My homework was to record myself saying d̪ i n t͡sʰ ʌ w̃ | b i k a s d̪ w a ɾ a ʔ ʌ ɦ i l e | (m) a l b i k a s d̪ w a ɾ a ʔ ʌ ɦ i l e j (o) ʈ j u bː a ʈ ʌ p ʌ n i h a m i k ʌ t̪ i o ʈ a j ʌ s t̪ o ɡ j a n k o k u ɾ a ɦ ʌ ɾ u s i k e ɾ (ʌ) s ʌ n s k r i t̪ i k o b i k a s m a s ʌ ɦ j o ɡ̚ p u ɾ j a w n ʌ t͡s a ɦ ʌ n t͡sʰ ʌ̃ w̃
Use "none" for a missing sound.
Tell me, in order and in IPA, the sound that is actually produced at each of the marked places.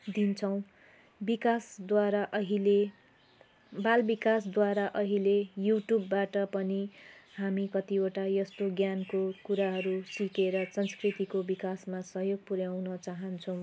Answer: b, u, ʌ

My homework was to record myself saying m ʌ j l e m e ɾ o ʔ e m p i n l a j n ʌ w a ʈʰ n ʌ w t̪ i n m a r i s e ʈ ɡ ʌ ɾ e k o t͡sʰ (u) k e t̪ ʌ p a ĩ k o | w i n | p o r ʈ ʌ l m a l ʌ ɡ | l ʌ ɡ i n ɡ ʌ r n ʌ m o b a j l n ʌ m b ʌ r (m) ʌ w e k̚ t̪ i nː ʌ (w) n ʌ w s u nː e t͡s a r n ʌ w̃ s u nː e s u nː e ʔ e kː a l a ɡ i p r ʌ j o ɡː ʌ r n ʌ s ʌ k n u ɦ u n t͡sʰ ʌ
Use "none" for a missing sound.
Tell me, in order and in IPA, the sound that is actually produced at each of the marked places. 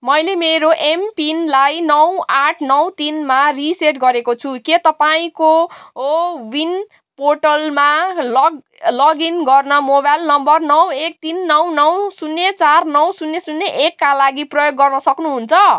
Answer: u, n, w

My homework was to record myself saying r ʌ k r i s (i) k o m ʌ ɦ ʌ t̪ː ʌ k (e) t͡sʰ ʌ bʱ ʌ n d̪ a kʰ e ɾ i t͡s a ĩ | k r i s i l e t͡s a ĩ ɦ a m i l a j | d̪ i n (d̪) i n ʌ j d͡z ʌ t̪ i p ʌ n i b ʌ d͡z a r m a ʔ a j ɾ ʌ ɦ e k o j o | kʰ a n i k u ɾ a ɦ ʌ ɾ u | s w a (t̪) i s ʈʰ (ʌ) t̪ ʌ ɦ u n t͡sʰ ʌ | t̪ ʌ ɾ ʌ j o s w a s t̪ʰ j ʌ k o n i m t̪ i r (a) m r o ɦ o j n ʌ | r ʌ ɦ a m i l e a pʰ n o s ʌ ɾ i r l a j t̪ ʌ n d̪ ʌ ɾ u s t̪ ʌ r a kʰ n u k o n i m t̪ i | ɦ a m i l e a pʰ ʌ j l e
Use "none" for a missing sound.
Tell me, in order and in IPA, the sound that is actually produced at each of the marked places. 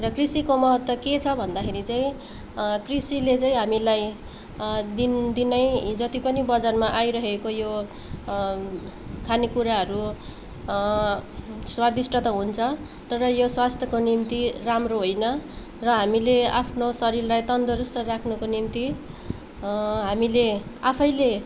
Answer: i, e, d̪, d̪, ʌ, a

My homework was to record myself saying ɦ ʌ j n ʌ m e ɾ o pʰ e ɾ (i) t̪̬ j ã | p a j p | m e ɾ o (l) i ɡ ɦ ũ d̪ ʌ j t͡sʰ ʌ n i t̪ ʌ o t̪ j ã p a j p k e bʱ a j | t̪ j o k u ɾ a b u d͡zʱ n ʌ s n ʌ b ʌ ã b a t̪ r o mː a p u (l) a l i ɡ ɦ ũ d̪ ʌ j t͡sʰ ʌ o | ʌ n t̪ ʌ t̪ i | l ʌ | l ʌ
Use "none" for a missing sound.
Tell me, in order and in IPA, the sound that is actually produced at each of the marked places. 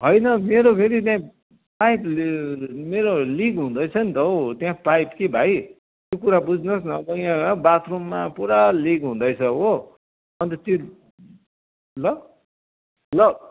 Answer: i, l, ɾ

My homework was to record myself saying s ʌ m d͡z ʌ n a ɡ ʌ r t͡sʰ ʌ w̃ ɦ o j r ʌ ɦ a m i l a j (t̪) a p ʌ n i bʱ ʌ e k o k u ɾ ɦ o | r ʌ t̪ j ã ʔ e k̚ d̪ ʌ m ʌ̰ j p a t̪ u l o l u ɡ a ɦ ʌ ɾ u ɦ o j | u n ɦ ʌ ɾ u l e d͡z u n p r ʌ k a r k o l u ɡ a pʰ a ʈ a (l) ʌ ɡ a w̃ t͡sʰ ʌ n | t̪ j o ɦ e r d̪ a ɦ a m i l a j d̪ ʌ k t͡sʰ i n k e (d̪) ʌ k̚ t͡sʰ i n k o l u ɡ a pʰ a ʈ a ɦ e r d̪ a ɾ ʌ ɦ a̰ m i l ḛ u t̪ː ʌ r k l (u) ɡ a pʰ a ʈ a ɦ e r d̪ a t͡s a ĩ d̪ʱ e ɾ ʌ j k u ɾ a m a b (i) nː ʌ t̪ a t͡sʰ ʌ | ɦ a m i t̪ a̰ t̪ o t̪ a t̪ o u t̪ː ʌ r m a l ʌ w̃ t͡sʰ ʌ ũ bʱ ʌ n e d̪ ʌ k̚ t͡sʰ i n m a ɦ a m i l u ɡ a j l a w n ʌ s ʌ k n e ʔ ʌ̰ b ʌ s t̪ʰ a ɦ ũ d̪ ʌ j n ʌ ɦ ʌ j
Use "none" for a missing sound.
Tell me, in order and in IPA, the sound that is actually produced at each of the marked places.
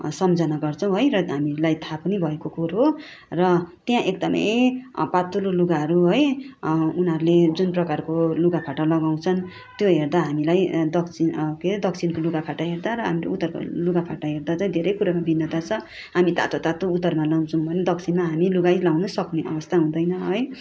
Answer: t̪ʰ, l, d̪, u, i

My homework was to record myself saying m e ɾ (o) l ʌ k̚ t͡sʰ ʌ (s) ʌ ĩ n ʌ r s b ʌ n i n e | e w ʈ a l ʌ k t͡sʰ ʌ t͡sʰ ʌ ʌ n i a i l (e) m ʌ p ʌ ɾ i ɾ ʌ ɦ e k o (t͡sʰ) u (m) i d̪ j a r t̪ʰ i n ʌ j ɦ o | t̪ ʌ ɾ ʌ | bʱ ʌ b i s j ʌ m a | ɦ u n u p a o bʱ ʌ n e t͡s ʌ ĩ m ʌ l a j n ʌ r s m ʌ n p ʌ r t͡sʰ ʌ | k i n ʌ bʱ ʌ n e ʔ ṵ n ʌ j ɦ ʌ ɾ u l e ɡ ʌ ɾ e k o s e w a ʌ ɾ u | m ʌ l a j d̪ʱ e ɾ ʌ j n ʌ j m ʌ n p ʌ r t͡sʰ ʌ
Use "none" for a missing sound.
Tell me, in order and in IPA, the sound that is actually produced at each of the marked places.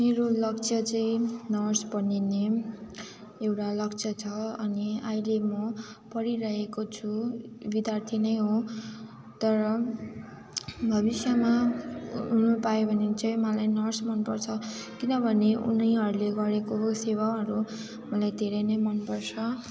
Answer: o, t͡s, e, t͡sʰ, b

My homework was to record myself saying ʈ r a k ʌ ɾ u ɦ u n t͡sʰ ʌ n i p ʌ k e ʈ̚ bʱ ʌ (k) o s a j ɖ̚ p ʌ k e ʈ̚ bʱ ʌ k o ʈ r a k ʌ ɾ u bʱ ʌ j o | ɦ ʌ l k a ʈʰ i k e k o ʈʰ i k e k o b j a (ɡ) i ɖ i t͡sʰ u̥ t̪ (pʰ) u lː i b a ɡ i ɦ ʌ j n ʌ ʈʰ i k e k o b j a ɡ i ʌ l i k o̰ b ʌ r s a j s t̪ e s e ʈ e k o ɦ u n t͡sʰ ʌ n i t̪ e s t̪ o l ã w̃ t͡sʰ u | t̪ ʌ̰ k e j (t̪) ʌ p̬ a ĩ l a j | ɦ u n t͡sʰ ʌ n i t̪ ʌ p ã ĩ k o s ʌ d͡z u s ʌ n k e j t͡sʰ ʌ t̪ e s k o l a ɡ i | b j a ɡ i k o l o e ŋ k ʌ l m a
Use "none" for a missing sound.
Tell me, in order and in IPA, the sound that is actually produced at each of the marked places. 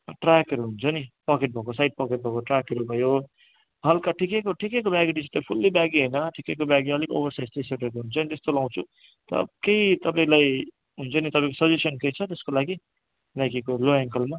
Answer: k, ɡ, pʰ, t̪

